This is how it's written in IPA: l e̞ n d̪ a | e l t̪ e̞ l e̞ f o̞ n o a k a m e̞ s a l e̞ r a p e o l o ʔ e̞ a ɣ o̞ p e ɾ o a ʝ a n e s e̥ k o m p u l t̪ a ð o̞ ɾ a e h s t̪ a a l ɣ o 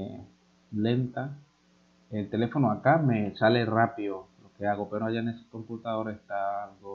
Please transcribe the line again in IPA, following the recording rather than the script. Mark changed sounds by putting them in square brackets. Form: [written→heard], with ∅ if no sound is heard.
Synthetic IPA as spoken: l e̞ n [d̪→t̪] a | e l t̪ e̞ l e̞ f o̞ n o a k a m e̞ s a l e̞ r a p [e→i] o l o [ʔ→k] e̞ a ɣ o̞ p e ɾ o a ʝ a n e s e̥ k o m p u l t̪ a ð o̞ ɾ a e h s t̪ a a l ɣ o